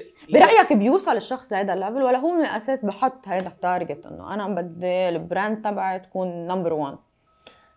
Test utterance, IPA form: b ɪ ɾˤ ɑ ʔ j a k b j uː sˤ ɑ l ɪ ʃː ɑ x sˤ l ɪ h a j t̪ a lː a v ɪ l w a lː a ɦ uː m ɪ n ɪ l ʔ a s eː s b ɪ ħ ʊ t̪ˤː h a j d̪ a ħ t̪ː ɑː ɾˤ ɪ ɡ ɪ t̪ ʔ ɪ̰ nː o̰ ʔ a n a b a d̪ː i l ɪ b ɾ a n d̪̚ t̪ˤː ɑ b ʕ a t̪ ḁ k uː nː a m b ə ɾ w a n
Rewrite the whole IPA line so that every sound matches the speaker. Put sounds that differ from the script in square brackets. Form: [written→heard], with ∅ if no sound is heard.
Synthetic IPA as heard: b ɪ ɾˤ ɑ ʔ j a k b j uː sˤ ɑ l ɪ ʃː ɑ x sˤ l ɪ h a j [t̪→d̪] a lː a v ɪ l w a lː a ɦ uː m ɪ n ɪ l ʔ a s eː s b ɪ ħ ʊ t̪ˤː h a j d̪ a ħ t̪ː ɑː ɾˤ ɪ ɡ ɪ t̪ ʔ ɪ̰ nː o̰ ʔ a n a b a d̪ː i l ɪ b ɾ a n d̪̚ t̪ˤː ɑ b ʕ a t̪ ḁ k uː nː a m b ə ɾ w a n